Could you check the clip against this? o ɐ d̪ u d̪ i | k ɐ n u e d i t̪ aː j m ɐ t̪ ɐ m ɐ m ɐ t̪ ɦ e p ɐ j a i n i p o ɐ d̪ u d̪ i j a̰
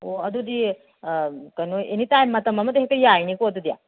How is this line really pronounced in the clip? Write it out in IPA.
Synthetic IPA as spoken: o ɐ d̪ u d̪ i | k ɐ n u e n i t̪ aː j m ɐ t̪ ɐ m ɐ m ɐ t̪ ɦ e k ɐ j a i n i k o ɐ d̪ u d̪ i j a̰

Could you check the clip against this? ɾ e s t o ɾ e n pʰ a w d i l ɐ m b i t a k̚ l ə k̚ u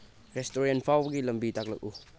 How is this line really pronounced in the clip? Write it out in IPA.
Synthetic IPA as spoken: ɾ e s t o ɾ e n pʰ a w ɡ i l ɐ m b i t a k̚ l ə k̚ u

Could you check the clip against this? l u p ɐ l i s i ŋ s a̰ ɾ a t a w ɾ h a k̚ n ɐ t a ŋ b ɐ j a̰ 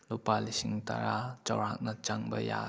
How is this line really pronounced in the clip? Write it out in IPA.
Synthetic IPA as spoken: l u p a l i s i ŋ t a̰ ɾ a t͡ʃ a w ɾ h a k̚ n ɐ t͡ʃ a ŋ b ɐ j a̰

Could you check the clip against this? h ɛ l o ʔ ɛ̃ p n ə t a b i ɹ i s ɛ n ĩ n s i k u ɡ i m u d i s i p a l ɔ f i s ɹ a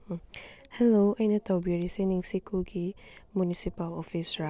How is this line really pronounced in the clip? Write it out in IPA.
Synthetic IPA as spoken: h ɛ l o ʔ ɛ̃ n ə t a b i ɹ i s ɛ n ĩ ŋ s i k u ɡ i m u n i s i p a l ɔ f i s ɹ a

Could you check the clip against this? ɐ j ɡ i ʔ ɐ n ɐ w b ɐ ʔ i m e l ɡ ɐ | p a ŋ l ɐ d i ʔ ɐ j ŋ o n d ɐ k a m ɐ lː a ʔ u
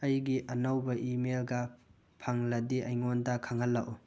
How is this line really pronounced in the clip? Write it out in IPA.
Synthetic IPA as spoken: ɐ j ɡ i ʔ ɐ n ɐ w b ɐ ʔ i m e l ɡ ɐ | pʰ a ŋ l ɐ d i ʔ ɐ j ŋ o n d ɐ kʰ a ŋ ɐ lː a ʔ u

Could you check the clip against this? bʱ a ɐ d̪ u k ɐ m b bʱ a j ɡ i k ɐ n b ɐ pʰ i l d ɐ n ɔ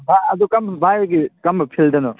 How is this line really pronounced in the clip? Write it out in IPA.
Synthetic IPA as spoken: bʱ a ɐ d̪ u k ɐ m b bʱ a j ɡ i k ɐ m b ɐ pʰ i l d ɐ n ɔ

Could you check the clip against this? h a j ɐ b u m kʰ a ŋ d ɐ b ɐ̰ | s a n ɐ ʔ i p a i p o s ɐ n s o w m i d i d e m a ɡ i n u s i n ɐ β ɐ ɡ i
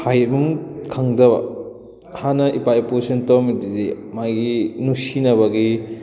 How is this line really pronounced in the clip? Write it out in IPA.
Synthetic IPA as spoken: h a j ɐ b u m kʰ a ŋ d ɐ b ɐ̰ | h a n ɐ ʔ i p a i p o s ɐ n t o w m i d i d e m a ɡ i n u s i n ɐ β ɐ ɡ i

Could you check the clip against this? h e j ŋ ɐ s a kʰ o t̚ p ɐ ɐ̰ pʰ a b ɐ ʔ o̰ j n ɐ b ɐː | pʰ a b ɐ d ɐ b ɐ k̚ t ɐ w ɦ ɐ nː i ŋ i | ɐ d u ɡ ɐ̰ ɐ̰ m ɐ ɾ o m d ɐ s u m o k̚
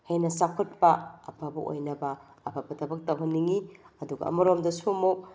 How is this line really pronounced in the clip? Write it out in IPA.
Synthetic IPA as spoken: h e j n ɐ s a kʰ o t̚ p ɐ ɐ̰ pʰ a b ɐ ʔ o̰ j n ɐ b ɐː | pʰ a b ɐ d ɐ b ɐ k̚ t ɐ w ɦ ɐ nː i ŋ i | ɐ d u ɡ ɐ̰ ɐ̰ m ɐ ɾ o m d ɐ s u m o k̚

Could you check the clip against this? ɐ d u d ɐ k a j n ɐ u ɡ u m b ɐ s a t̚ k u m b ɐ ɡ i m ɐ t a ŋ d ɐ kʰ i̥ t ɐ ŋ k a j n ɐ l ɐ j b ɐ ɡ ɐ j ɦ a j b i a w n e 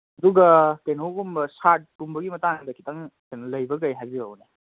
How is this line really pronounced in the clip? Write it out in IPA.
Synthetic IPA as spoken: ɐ d u ɡ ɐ k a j n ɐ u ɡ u m b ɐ s a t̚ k u m b ɐ ɡ i m ɐ t a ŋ d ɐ kʰ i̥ t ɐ ŋ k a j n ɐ l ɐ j b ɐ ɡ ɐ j ɦ a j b i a w n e

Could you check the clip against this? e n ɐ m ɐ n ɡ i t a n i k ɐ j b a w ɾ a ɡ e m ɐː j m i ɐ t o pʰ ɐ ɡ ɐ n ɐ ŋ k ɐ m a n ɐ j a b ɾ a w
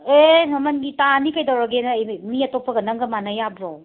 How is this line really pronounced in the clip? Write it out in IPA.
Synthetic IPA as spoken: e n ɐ m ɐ n ɡ i t a n i k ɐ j d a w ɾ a ɡ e n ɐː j m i ɐ t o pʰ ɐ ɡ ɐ n ɐ ŋ ɡ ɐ m a n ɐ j a b ɾ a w

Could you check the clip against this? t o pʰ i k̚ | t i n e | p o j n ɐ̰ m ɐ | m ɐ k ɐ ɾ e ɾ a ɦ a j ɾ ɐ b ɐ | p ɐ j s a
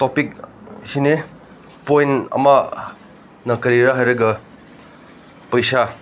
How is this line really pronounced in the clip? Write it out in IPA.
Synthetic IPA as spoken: t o p i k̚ | s i n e | p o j n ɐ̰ m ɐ | n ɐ k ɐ ɾ i ɾ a ɦ a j ɾ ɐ ɡ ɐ | p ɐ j s a

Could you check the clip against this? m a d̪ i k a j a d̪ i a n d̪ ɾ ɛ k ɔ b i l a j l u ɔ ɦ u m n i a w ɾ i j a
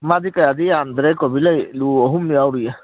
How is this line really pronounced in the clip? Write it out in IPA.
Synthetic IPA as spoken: m a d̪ i k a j a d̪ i a n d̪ ɾ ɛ k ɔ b i l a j l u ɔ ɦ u m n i a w ɾ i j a

